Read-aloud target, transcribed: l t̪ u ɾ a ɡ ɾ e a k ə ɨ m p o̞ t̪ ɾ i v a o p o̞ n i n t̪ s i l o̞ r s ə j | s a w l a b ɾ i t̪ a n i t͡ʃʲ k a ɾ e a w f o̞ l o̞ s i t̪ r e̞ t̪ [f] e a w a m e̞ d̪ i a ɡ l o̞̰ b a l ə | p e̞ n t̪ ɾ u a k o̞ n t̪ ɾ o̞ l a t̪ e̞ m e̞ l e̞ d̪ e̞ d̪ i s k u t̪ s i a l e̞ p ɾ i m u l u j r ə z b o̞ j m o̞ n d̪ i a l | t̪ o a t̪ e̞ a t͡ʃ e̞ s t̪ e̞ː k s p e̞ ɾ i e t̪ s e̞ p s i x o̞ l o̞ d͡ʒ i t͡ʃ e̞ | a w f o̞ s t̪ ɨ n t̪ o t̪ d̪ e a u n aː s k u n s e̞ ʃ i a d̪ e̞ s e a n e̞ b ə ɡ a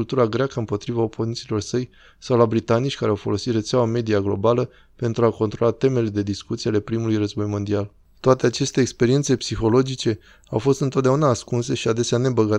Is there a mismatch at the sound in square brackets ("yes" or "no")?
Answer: yes